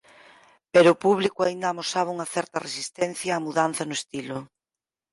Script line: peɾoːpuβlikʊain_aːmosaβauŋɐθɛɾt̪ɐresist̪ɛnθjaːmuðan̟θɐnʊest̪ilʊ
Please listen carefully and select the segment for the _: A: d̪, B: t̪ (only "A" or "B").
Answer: A